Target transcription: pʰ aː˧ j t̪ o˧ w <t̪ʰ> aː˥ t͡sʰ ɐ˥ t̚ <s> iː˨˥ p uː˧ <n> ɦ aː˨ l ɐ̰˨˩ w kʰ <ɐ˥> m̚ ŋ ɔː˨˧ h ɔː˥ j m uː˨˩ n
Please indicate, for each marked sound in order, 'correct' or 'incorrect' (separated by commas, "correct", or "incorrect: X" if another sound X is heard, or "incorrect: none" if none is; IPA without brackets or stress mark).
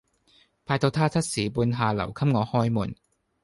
correct, correct, correct, correct